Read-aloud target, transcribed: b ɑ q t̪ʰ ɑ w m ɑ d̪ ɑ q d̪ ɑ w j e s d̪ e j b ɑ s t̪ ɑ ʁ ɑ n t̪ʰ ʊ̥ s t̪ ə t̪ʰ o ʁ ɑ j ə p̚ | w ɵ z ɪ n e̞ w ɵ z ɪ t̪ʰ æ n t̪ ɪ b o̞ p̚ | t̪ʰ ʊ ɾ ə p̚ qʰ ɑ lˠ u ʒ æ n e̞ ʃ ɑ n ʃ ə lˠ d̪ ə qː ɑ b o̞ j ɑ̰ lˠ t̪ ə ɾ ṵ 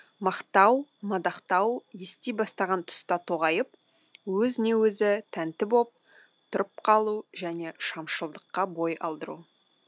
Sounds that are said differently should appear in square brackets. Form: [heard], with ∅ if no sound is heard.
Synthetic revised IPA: [m] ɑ q [t̪] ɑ w m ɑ d̪ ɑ q [t̪] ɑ w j e s [t̪] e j b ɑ s t̪ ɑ ʁ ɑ n t̪ʰ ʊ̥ s t̪ [ɑ] t̪ʰ o ʁ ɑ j ə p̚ | w ɵ z ɪ n e̞ w ɵ z ɪ t̪ʰ æ n t̪ ɪ b o̞ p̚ | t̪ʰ ʊ ɾ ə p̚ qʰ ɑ lˠ u ʒ æ n e̞ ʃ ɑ [m] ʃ ə lˠ d̪ ə qː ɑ b o̞ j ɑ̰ lˠ [d̪] ə ɾ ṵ